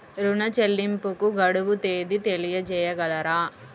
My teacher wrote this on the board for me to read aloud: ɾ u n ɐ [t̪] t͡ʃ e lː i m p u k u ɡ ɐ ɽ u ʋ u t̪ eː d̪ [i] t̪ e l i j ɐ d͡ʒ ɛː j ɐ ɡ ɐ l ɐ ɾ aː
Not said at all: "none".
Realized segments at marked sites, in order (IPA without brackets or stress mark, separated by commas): none, i